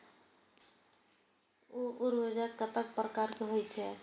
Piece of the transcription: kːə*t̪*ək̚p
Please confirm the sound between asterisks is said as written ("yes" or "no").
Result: yes